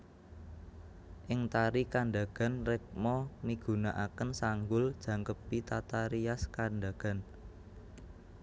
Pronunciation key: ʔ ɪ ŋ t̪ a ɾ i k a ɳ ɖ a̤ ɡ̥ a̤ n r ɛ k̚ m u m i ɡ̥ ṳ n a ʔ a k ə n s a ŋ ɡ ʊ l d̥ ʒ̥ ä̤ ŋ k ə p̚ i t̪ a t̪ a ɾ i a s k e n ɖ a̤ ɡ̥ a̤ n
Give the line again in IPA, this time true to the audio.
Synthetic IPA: ʔ ɪ ŋ t̪ a ɾ i k a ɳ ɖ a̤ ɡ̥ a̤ n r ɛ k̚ m ɔ m i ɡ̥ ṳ n a ʔ a k ə n s a ŋ ɡ ʊ l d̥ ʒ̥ ä̤ ŋ k ə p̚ i t̪ a t̪ a ɾ i a s k a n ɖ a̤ ɡ̥ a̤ n